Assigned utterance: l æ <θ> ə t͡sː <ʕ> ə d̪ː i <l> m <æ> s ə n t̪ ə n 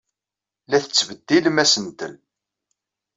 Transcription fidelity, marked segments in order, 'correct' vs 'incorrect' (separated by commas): correct, incorrect, correct, correct